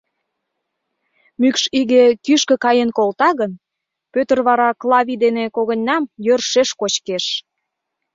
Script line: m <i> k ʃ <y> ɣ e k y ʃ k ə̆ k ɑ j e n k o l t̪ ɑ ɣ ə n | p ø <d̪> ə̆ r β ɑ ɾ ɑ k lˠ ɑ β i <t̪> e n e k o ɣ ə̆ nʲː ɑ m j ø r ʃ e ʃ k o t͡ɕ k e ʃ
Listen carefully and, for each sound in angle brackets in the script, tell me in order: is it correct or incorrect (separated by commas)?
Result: incorrect, incorrect, incorrect, incorrect